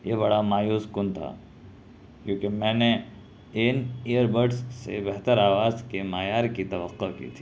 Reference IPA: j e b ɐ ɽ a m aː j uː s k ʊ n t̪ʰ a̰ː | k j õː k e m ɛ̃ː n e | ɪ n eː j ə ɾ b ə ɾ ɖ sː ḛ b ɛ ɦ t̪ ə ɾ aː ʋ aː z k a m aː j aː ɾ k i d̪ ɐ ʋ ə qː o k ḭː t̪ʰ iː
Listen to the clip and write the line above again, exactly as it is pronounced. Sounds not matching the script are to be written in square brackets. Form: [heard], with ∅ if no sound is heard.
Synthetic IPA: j e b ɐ ɽ a m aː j uː s k ʊ n t̪ʰ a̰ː | k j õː k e m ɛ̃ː n e | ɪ n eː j ə ɾ b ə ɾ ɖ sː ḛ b ɛ ɦ t̪ ə ɾ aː ʋ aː z k [e] m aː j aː ɾ k i [t̪] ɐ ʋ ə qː o k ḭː t̪ʰ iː

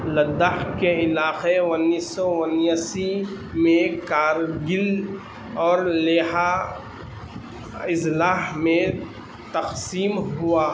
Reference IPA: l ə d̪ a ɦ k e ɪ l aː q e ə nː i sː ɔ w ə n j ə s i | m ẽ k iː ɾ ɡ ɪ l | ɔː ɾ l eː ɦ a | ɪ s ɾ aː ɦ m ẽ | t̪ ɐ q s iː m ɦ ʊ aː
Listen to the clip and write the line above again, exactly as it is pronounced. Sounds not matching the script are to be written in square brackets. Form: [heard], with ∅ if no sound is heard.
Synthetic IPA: l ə d̪ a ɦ k e ɪ l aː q e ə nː i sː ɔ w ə n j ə s i | m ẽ k [aː] ɾ ɡ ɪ l | ɔː ɾ l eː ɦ a | ɪ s [l] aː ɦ m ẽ | t̪ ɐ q s iː m ɦ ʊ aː

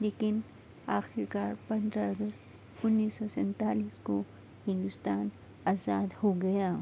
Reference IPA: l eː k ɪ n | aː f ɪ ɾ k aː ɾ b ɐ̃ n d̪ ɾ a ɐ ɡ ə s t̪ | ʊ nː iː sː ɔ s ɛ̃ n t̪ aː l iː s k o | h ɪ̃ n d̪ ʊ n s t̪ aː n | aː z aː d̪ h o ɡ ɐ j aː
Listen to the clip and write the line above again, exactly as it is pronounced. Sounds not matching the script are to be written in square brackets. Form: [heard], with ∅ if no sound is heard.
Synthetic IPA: l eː k ɪ n | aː [x] ɪ ɾ k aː ɾ [p] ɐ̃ n d̪ ɾ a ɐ ɡ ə s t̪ | ʊ nː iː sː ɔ s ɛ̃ n t̪ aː l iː s k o | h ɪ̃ n d̪ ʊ [∅] s t̪ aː n | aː z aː d̪ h o ɡ ɐ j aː

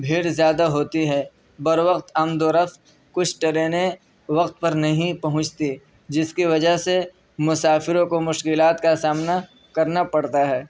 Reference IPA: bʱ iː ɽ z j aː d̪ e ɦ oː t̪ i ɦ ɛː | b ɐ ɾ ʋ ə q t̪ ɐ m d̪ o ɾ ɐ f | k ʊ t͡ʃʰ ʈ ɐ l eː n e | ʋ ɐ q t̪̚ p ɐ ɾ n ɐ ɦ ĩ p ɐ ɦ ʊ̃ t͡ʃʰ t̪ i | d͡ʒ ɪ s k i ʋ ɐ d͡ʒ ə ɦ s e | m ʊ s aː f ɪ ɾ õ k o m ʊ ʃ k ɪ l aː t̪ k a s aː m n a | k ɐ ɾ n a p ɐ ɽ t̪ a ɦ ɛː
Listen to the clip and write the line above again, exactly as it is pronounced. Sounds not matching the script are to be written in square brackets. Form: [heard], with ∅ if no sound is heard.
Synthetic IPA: bʱ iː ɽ z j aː d̪ [a] ɦ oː t̪ i ɦ ɛː | b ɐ ɾ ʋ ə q t̪ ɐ m d̪ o ɾ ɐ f | k ʊ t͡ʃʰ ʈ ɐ [ɾ] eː n e | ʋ ɐ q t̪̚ p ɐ ɾ n ɐ ɦ ĩ p ɐ ɦ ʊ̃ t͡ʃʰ t̪ i | d͡ʒ ɪ s k i ʋ ɐ d͡ʒ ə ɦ s e | m ʊ s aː f ɪ ɾ õ k o m ʊ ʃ k ɪ l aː t̪ k a s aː m n a | k ɐ ɾ n a p ɐ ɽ t̪ a ɦ ɛː

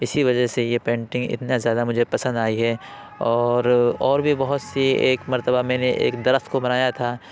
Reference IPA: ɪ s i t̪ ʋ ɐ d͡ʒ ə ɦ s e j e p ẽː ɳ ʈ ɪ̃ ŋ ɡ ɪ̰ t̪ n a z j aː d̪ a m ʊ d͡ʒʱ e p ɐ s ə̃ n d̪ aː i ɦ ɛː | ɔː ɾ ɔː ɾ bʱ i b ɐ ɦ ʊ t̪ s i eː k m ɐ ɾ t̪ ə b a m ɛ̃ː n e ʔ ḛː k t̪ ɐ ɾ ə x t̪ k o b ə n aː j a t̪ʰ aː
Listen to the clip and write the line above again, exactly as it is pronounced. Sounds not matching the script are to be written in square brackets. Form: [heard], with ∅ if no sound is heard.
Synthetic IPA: ɪ s i [∅] ʋ ɐ d͡ʒ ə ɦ s e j e p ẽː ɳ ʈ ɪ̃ ŋ ɡ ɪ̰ t̪ n a z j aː d̪ a m ʊ d͡ʒʱ e p ɐ s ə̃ n d̪ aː i ɦ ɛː | ɔː ɾ ɔː ɾ bʱ i b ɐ ɦ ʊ t̪ s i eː k m ɐ ɾ t̪ ə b a m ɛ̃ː n e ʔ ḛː k [d̪] ɐ ɾ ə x t̪ k o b [ɐ] n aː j a t̪ʰ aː

